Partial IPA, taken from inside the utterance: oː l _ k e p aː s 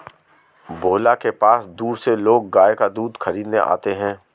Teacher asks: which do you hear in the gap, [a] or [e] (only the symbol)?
a